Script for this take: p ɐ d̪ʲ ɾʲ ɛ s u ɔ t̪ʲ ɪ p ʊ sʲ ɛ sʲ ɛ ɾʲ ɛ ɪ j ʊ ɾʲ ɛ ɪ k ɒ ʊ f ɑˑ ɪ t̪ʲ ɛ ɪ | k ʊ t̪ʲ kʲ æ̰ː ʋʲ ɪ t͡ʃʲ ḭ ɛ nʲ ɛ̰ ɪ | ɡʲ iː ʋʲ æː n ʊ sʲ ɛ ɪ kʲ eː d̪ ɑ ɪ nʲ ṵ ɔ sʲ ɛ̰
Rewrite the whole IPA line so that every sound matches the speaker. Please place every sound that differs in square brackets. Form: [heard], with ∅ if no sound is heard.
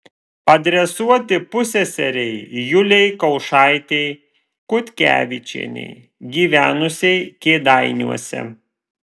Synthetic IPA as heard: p ɐ d̪ʲ ɾʲ ɛ s u ɔ t̪ʲ ɪ p ʊ sʲ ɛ sʲ ɛ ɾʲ ɛ ɪ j ʊ [lʲ] ɛ ɪ k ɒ ʊ [ʃ] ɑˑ ɪ t̪ʲ ɛ ɪ | k ʊ t̪ʲ kʲ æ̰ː ʋʲ ɪ t͡ʃʲ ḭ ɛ nʲ ɛ̰ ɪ | ɡʲ iː ʋʲ æː n ʊ sʲ ɛ ɪ kʲ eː d̪ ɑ ɪ nʲ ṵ ɔ sʲ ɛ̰